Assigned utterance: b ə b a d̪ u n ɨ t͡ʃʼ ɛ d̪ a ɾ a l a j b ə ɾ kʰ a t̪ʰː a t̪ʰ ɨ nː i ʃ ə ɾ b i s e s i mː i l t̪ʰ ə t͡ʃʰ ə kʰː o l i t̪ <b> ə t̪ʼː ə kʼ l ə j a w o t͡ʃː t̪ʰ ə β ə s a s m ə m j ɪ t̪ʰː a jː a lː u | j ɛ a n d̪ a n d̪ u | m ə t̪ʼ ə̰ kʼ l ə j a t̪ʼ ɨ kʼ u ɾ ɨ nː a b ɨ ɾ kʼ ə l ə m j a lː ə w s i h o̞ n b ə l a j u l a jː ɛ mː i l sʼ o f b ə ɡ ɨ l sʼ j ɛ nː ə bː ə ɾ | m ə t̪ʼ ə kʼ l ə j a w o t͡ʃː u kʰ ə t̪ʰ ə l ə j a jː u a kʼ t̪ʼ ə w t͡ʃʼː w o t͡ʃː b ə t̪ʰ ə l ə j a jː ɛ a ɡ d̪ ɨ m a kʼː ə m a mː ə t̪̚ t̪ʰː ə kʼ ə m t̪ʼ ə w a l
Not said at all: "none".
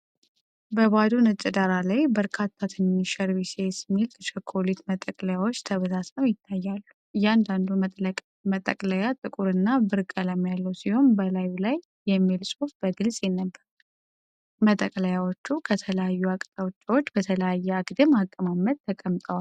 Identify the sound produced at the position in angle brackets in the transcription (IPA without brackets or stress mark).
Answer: m